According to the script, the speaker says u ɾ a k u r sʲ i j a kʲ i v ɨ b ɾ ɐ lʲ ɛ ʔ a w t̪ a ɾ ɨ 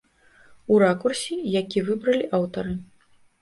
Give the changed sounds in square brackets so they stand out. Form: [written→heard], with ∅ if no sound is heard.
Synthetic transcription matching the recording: u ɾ a k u r sʲ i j a kʲ i v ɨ b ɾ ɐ lʲ [ɛ→i] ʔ a w t̪ [a→ɐ] ɾ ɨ